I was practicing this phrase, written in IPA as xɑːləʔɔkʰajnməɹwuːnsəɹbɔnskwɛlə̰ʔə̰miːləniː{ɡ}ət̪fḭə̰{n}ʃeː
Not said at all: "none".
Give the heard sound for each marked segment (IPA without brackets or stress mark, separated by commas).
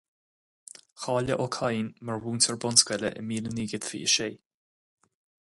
ɡ, none